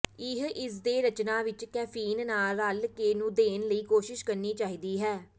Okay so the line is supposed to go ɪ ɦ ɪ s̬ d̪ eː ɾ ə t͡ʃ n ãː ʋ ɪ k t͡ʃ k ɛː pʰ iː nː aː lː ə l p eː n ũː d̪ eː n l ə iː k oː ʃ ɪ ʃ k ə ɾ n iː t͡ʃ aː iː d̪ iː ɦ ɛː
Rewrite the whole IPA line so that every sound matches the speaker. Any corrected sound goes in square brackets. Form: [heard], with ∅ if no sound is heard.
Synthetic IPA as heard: ɪ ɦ ɪ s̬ d̪ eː ɾ ə t͡ʃ n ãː ʋ ɪ [∅] t͡ʃ k ɛː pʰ iː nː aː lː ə l [k] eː n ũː d̪ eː n l ə iː k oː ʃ ɪ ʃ k ə ɾ n iː t͡ʃ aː iː d̪ iː ɦ ɛː